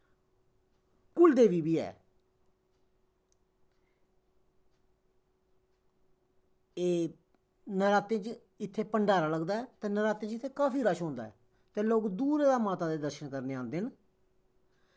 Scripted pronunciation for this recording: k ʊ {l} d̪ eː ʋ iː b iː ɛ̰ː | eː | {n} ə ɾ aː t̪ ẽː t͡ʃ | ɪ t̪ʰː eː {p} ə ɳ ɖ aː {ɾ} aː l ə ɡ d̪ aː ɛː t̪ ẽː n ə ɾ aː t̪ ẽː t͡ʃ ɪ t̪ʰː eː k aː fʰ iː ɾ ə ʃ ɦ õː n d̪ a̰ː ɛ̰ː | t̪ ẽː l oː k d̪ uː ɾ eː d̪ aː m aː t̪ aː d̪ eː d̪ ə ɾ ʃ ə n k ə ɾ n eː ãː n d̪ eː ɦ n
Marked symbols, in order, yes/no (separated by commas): yes, yes, yes, yes